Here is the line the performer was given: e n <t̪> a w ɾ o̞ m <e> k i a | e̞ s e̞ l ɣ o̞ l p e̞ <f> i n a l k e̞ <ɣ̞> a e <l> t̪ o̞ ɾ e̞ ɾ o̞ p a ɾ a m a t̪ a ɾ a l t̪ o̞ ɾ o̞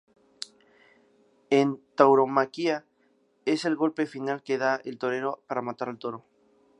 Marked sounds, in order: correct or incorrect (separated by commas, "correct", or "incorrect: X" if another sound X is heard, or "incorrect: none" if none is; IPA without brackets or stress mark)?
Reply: correct, incorrect: a, correct, incorrect: ð̞, correct